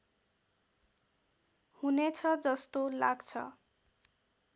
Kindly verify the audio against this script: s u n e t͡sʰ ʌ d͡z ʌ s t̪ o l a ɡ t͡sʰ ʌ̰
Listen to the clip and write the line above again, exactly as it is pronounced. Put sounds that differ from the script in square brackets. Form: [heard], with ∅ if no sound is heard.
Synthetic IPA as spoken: [h] u n e t͡sʰ ʌ d͡z ʌ s t̪ o l a ɡ t͡sʰ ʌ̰